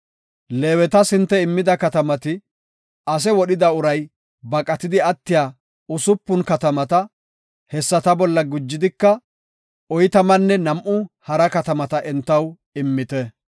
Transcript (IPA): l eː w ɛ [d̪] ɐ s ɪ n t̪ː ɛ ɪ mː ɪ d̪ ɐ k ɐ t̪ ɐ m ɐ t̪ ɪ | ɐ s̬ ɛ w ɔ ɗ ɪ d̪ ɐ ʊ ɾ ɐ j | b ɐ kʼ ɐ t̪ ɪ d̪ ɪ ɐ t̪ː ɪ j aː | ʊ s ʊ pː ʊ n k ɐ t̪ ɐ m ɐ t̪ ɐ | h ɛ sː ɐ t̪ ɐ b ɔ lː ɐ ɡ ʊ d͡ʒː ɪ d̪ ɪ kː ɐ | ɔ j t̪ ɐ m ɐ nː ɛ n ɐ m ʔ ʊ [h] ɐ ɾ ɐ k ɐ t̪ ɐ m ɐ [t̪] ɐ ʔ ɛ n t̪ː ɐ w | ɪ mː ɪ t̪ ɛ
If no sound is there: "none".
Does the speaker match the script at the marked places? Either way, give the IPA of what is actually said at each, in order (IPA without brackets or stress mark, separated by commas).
t̪, h, t̪